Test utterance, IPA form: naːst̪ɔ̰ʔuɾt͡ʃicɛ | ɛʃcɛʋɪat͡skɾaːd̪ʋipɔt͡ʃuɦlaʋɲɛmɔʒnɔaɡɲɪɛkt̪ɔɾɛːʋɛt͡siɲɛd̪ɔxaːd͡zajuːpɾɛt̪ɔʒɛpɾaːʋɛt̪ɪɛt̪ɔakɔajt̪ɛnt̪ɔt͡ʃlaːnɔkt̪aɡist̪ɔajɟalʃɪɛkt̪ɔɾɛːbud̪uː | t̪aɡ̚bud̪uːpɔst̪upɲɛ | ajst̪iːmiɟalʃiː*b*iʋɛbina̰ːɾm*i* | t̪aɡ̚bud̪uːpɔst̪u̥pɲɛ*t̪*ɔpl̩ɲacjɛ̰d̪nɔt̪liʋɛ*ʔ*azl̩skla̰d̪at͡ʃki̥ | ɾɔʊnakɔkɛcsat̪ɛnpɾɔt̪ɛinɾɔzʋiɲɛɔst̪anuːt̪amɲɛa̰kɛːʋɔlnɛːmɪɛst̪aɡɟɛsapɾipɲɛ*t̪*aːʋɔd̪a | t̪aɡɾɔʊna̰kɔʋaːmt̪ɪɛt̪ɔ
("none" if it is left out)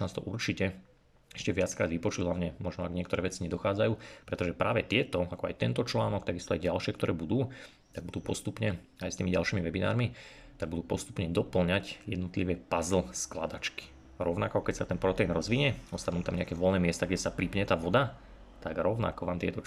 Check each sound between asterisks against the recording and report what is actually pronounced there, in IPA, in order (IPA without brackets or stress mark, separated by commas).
m, i, d̪, p, t̪